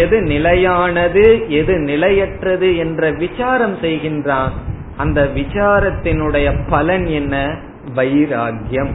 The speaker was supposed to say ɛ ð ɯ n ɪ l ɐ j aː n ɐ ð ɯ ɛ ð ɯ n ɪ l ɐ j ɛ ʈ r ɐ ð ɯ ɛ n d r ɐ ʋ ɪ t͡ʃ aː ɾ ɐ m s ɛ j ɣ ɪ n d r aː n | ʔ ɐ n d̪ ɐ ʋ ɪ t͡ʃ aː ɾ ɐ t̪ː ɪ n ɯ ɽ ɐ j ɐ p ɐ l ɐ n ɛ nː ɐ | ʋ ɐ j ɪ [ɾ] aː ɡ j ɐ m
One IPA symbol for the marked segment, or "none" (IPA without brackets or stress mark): ɾ